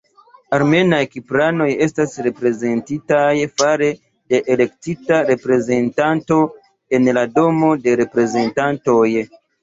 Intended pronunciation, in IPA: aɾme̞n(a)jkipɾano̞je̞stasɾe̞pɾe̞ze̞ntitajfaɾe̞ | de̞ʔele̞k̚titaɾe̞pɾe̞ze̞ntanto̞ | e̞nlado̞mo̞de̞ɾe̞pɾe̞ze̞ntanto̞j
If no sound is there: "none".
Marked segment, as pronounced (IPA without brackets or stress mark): a